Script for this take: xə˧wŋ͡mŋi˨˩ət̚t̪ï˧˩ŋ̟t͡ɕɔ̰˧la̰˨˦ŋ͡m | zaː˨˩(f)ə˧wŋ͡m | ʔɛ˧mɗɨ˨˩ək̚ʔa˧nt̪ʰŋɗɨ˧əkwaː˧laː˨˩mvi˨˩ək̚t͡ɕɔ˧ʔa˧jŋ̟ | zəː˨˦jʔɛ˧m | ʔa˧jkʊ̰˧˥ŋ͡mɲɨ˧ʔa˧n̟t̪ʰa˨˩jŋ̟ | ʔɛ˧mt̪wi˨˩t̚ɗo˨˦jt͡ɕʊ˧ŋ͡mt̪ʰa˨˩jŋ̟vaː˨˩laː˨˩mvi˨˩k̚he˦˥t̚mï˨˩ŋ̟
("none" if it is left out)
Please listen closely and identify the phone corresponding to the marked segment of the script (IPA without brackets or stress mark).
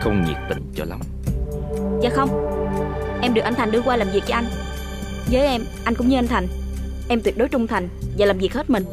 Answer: x